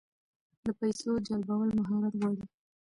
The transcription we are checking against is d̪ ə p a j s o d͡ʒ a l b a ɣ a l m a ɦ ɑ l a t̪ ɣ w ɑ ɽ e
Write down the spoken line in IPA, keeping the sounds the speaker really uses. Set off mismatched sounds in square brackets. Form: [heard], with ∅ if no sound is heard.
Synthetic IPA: d̪ ə p a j s o d͡ʒ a l b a [w] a l m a ɦ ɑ [ɾ] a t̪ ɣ w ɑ ɽ [i]